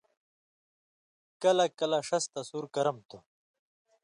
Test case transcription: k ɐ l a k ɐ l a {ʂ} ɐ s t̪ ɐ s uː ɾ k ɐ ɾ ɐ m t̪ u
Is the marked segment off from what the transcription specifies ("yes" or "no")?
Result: no